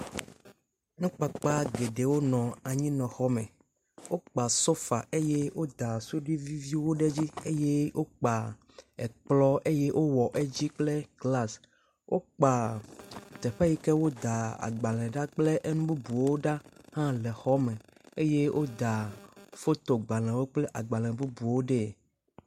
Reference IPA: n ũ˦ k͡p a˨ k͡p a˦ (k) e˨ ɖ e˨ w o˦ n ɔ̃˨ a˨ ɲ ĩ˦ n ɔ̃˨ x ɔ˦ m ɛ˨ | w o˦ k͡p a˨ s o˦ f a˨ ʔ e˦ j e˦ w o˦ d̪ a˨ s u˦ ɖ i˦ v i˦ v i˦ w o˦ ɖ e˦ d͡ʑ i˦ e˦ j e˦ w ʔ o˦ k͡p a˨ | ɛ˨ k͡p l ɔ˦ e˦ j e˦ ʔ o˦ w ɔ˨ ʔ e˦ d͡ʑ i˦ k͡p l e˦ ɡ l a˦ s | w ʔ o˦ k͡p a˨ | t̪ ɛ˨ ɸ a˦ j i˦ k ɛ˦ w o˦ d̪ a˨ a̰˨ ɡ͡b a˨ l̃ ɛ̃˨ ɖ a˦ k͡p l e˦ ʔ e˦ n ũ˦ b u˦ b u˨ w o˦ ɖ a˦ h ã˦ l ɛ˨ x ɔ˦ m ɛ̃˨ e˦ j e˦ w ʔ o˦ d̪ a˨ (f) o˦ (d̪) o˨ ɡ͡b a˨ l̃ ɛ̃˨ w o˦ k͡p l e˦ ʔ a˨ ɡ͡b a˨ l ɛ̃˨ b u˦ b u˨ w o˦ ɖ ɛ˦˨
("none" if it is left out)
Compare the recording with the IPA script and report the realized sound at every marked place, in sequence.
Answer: ɡ, f, t̪

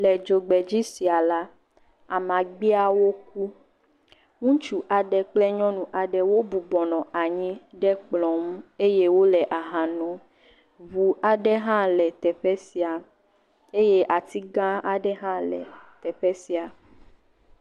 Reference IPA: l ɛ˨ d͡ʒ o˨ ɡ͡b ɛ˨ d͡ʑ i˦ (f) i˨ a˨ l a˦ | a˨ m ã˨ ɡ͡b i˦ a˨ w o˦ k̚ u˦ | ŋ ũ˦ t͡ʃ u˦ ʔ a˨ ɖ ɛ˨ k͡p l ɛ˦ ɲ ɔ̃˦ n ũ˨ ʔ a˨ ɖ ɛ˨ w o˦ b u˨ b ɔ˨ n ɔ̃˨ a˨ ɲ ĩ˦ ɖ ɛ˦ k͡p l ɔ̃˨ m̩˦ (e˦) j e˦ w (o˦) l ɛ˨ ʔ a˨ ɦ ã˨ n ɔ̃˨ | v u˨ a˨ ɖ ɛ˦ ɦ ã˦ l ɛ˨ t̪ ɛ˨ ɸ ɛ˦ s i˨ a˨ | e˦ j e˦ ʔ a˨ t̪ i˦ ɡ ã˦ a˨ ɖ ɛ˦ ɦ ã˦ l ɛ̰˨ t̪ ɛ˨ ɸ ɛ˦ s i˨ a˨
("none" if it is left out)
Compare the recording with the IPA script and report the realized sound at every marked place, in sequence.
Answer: s, e˦, o˦

